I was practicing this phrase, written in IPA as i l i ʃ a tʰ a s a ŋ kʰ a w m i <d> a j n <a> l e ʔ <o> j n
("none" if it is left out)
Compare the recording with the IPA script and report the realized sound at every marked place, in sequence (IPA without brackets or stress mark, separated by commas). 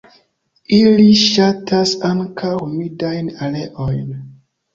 d, a, o